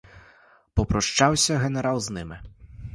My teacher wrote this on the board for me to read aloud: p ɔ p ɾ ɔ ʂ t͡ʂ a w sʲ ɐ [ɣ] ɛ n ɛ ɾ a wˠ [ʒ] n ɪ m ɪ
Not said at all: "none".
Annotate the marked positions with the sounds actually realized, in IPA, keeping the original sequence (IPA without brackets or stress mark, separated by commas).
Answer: ɣ, z